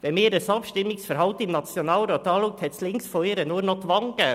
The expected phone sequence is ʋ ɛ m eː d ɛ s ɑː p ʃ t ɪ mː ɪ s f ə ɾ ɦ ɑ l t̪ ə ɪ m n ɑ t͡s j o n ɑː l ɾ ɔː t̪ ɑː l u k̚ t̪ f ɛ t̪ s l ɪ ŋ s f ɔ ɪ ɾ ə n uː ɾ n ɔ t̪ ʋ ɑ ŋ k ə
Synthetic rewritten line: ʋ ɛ m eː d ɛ s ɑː p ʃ t ɪ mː ɪ s f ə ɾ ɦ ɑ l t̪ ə ɪ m n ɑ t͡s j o n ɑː l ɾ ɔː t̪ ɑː l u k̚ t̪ h ɛ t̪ s l ɪ ŋ s f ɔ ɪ ɾ ə n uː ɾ n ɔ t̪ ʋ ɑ ŋ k ə